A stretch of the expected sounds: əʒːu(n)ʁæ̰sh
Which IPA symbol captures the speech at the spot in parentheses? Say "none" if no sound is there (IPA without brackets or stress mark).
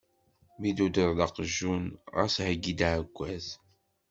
n